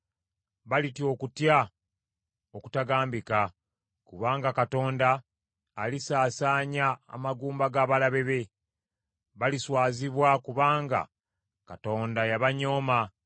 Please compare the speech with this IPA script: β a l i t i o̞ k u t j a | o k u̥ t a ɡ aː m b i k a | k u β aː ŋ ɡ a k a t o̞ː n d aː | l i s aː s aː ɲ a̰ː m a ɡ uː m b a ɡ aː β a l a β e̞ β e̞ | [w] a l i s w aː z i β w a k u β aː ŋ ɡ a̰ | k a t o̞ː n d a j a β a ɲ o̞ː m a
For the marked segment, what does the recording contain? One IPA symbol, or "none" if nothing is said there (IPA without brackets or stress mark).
β